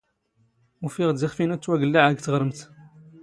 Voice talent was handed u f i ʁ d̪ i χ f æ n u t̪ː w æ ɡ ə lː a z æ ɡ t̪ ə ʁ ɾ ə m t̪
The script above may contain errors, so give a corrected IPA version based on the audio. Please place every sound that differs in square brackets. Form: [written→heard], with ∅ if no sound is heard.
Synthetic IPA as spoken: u f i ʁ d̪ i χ f [æ→i] n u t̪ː w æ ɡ ə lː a [z→ʕ] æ ɡ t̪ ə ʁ ɾ ə m t̪